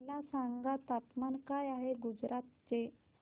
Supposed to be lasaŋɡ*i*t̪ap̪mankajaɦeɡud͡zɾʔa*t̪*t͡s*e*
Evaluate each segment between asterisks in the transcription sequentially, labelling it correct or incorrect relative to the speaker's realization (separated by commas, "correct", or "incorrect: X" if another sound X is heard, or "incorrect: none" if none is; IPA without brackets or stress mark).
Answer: incorrect: a, correct, correct